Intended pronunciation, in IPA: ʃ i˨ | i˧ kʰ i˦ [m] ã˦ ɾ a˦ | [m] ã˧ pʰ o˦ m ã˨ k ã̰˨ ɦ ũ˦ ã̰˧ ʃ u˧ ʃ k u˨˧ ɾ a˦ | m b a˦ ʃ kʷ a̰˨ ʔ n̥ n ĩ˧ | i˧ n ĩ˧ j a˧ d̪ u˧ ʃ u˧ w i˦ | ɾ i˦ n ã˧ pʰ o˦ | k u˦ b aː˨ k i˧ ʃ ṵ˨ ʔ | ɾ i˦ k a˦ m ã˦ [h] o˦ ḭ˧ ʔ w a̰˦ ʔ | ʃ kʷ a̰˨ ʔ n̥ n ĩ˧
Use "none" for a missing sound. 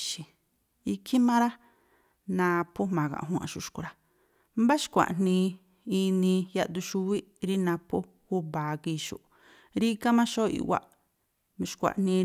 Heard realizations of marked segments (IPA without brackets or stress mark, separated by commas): m, n, ʃ